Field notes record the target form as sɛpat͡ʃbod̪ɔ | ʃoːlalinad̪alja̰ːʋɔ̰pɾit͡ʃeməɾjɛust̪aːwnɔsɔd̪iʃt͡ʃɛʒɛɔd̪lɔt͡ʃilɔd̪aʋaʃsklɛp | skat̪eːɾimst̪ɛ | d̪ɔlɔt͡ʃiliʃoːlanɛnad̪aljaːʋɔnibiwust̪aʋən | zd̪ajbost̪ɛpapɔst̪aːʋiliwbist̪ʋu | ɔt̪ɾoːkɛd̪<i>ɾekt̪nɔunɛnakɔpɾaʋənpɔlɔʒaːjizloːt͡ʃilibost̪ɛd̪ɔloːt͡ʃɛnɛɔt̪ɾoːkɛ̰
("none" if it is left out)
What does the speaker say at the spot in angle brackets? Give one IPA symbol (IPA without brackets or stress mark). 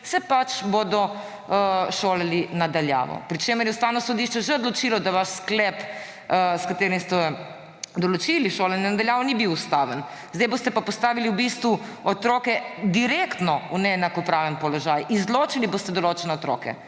i